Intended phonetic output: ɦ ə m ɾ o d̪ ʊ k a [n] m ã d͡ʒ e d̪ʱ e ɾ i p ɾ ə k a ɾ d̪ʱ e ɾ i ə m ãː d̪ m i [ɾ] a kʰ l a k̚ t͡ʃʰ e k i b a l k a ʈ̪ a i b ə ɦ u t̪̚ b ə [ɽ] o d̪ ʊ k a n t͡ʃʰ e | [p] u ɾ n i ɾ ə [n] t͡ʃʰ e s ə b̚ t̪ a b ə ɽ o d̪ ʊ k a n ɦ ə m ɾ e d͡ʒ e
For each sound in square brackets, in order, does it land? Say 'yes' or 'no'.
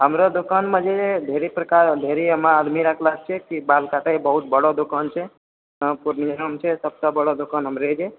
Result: yes, yes, yes, yes, no

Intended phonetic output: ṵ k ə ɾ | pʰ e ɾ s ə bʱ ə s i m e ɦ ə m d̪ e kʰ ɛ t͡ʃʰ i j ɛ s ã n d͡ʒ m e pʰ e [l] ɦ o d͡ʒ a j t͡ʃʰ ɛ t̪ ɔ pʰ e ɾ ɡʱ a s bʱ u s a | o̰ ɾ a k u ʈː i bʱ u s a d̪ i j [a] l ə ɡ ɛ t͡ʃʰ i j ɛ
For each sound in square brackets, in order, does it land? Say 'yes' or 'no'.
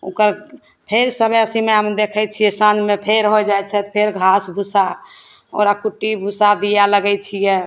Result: no, yes

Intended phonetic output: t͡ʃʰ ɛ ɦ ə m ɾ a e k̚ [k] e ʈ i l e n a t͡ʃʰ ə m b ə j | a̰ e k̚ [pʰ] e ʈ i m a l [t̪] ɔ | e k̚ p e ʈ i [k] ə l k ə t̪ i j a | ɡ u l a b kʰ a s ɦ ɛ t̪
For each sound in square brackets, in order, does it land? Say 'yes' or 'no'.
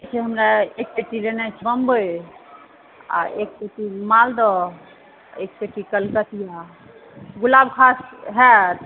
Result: no, no, no, yes

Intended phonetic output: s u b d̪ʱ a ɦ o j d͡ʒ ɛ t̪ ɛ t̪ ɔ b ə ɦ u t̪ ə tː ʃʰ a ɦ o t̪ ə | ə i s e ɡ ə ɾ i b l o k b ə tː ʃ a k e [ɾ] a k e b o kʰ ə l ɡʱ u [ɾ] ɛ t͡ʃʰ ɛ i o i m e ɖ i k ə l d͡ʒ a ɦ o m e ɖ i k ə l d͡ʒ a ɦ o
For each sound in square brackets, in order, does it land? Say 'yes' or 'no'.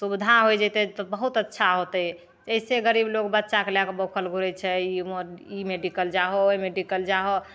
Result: no, yes

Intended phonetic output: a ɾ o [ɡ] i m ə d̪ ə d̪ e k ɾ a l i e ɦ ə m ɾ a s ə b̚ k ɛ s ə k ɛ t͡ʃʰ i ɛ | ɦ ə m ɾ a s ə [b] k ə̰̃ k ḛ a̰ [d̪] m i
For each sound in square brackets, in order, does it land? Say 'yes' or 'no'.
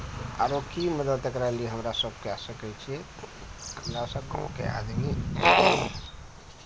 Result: no, yes, yes

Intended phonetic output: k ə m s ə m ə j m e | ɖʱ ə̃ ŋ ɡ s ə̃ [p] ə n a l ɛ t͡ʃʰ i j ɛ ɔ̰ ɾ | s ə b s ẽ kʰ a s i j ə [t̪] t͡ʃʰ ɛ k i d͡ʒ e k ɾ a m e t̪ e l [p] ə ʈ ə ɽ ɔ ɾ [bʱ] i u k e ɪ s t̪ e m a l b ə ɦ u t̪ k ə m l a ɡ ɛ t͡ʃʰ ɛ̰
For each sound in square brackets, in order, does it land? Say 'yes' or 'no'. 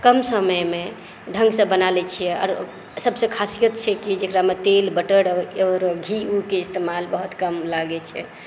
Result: no, yes, no, no

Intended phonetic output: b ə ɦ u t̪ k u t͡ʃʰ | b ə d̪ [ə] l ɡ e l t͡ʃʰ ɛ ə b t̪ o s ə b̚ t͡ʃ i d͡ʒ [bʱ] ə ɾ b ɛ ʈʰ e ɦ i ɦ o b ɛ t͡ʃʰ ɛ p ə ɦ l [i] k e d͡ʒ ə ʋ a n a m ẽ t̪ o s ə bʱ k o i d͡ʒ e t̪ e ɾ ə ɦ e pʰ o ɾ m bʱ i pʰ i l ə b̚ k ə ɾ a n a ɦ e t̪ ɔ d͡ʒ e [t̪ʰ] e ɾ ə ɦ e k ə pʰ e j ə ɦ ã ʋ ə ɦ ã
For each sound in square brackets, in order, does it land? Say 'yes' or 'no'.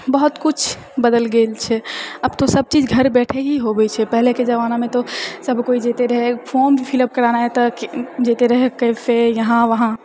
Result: yes, no, no, no

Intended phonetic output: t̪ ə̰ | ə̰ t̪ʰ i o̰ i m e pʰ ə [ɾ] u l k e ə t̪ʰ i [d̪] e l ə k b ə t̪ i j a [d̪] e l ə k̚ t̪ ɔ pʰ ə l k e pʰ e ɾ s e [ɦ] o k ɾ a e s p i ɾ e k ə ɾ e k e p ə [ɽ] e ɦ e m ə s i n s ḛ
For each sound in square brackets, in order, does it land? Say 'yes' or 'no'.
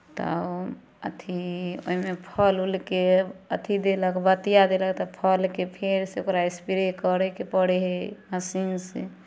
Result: no, yes, yes, no, yes

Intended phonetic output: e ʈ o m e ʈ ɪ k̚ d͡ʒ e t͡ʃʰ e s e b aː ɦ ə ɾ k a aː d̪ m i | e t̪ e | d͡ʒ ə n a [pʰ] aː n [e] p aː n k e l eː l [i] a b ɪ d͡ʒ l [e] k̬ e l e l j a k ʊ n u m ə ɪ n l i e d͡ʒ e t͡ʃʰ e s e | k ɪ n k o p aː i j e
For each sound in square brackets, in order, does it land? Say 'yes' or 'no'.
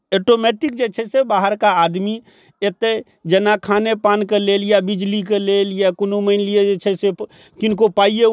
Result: no, yes, no, no

